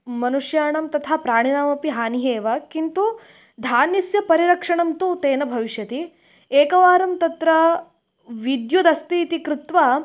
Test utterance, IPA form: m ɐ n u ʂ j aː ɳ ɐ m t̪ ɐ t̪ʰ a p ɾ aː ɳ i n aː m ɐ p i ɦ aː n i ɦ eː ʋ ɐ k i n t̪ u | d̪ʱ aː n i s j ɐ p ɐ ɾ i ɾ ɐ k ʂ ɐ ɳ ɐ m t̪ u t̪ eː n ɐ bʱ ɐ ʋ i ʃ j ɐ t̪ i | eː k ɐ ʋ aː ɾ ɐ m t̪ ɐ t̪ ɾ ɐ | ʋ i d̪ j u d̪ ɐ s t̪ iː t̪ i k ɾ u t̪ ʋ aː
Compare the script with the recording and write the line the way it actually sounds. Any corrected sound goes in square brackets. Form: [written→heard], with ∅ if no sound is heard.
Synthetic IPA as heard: m ɐ n u ʂ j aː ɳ ɐ m t̪ ɐ t̪ʰ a p ɾ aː ɳ i n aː m ɐ p i ɦ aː n i ɦ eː ʋ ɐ k i n t̪ u | d̪ʱ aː n i s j ɐ p ɐ ɾ i ɾ ɐ k ʂ ɐ ɳ ɐ m t̪ u t̪ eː n ɐ bʱ ɐ ʋ i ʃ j ɐ t̪ i | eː k ɐ ʋ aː ɾ ɐ m t̪ ɐ t̪ ɾ ɐ | ʋ i d̪ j u d̪ ɐ s t̪ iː t̪ i k ɾ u t̪ ʋ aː